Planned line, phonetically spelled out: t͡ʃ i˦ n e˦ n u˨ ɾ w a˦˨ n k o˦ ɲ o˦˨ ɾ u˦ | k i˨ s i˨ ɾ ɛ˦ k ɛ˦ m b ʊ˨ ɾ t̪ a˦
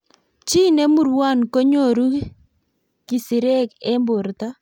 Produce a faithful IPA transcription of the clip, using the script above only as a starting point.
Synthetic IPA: t͡ʃ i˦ n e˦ m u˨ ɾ w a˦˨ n k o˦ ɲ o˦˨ ɾ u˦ | k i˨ s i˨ ɾ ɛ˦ k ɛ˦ m b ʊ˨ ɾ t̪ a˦